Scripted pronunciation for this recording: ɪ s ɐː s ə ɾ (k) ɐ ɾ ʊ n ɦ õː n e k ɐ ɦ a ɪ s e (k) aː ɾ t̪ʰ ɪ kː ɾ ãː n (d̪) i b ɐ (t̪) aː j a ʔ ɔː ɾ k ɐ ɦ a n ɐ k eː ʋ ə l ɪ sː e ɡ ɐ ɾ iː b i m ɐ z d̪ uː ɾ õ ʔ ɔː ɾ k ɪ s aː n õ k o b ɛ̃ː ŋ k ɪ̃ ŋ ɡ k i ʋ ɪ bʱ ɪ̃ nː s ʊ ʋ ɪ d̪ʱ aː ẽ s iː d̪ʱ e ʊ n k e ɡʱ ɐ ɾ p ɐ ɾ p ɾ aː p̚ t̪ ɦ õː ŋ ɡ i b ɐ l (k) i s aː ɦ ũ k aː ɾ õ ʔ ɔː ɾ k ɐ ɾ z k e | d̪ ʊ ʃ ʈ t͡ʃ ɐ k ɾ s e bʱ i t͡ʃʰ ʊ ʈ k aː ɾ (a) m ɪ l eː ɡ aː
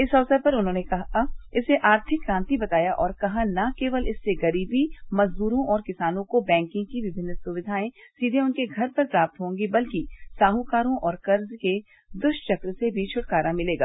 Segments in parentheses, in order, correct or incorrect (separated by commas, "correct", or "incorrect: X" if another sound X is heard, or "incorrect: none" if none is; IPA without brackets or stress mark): incorrect: p, incorrect: ʔ, incorrect: t̪, correct, correct, correct